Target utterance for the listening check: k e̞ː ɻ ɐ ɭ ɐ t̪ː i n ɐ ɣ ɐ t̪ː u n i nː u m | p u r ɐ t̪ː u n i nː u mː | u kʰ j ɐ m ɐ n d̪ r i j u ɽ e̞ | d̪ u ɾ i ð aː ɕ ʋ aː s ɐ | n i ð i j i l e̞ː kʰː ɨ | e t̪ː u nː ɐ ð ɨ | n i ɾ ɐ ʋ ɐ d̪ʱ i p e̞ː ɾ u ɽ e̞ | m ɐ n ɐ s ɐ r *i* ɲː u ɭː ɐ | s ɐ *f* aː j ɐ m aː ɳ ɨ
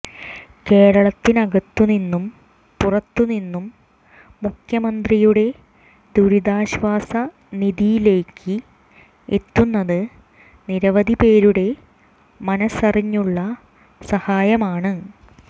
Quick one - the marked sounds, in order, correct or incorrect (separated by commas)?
correct, incorrect